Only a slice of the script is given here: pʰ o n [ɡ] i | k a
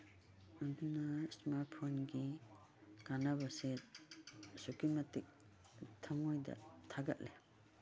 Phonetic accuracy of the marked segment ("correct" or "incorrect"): correct